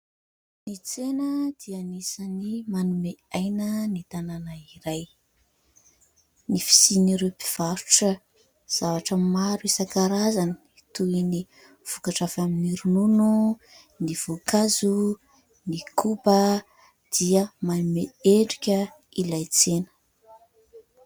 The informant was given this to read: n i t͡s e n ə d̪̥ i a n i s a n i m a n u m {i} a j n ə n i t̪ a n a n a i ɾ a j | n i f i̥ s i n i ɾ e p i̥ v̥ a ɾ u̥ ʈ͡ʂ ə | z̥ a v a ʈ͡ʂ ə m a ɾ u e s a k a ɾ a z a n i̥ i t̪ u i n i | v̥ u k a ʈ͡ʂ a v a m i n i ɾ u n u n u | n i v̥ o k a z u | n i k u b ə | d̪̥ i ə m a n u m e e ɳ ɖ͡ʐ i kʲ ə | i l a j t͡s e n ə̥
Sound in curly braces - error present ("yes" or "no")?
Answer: yes